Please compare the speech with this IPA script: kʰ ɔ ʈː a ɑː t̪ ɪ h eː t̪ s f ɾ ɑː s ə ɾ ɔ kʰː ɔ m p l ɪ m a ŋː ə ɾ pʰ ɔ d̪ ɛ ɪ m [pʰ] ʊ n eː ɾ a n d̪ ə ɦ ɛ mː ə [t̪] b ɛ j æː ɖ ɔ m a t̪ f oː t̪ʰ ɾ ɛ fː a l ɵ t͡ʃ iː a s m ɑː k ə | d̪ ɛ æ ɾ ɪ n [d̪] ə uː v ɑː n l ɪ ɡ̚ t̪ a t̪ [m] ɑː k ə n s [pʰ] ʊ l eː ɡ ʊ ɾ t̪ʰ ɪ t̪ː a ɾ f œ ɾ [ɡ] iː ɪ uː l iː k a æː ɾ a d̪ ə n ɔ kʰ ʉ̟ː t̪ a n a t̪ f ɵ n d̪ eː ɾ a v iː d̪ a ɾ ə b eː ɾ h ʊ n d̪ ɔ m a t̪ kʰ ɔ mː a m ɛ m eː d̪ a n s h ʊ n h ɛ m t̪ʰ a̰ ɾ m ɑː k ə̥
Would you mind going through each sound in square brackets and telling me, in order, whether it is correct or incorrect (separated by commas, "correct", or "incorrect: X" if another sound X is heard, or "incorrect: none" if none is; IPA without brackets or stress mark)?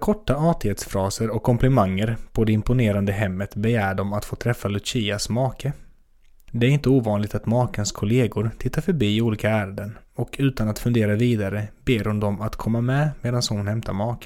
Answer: incorrect: p, correct, incorrect: t̪, correct, incorrect: kʰ, incorrect: b